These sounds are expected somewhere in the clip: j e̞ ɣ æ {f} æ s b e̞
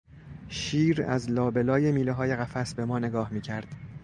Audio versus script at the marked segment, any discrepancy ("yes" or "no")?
no